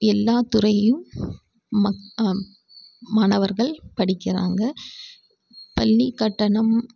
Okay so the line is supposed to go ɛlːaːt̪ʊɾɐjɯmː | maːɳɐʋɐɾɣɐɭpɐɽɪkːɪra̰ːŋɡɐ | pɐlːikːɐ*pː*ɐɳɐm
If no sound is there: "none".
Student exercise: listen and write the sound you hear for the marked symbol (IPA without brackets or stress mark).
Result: ʈː